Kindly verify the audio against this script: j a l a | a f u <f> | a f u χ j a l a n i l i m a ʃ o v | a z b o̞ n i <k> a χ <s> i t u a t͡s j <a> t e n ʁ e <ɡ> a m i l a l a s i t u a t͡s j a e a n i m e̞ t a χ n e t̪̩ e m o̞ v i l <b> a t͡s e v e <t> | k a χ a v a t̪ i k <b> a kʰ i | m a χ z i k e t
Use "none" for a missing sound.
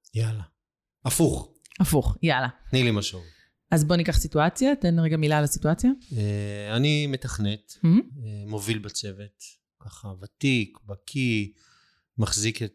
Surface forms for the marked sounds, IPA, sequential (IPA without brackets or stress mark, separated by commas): χ, k, s, a, ɡ, b, t, b